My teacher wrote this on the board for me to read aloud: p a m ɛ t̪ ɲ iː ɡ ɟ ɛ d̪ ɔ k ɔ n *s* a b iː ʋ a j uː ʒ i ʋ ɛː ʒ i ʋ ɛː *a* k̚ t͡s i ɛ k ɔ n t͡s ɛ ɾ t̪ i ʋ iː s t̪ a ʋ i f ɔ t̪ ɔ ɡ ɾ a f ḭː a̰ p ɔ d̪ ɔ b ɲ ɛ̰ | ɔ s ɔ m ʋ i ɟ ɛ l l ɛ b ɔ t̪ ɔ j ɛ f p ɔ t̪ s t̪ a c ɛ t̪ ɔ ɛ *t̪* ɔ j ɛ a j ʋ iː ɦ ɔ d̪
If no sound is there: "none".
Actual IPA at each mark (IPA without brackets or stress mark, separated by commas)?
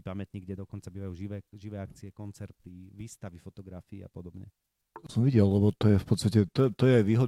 t͡s, a, t̪